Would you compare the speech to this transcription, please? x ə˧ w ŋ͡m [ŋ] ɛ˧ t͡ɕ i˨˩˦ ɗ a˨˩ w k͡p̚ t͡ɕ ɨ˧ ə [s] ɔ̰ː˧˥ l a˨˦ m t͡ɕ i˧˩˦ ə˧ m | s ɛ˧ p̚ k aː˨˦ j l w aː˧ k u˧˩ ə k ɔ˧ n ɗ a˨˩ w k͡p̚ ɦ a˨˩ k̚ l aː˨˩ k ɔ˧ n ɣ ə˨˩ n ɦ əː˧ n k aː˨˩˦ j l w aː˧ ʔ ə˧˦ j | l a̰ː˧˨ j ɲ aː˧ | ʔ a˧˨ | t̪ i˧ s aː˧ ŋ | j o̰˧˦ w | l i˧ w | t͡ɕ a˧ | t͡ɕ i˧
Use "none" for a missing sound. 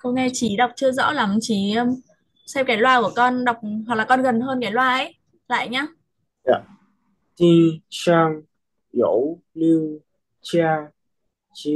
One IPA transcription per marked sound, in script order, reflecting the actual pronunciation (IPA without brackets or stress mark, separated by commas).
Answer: ŋ, z